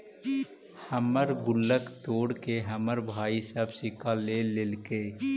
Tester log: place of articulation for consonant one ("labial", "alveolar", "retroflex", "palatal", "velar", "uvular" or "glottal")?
glottal